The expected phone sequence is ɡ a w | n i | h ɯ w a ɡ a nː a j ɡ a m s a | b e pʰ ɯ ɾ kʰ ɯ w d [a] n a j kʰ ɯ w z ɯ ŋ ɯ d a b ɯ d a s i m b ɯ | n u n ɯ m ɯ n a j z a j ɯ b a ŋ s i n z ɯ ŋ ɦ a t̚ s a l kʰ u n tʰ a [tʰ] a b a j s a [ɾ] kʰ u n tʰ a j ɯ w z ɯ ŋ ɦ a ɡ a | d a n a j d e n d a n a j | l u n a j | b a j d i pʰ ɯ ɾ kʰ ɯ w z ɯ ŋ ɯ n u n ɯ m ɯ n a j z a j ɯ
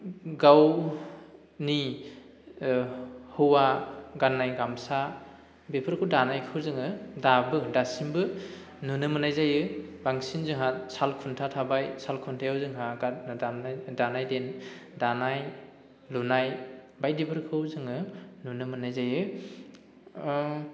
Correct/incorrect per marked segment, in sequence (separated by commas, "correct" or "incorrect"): correct, correct, incorrect